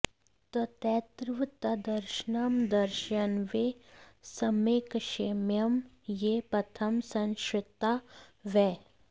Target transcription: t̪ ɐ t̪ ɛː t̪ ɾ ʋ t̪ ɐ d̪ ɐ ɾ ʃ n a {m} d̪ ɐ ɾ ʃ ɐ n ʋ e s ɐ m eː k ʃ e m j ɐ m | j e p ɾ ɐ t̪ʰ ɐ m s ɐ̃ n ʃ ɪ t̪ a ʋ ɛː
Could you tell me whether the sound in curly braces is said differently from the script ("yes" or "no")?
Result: no